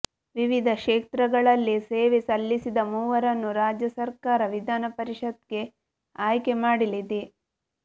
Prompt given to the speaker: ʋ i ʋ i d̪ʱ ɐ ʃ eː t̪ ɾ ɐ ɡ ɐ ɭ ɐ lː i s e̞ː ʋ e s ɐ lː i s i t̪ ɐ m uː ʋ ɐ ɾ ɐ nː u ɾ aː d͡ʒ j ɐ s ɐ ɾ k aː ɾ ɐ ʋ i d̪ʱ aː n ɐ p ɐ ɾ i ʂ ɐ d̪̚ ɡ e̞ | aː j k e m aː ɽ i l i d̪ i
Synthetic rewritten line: ʋ i ʋ i d̪ʱ ɐ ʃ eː t̪ ɾ ɐ ɡ ɐ ɭ ɐ lː i s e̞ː ʋ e s ɐ lː i s i d̪ ɐ m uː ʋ ɐ ɾ ɐ nː u ɾ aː d͡ʒ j ɐ s ɐ ɾ k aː ɾ ɐ ʋ i d̪ʱ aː n ɐ p ɐ ɾ i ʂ ɐ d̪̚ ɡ e̞ | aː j k e m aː ɽ i l i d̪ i